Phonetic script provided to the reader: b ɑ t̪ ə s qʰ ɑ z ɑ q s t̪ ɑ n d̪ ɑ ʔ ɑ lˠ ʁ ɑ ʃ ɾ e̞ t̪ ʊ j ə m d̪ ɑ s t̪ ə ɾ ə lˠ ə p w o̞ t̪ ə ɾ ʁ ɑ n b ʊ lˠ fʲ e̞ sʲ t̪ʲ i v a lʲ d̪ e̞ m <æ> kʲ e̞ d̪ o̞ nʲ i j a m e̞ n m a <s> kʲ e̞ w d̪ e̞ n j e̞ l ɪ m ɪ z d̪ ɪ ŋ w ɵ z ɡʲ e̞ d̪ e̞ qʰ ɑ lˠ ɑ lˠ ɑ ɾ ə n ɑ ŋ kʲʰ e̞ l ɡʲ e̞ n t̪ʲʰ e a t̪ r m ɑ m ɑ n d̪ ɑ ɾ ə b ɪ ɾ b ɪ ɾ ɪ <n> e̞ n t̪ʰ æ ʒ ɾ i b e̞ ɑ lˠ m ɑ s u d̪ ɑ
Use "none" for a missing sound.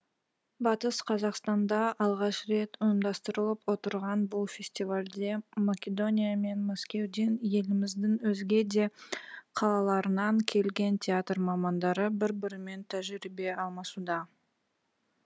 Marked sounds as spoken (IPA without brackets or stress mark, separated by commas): a, s, m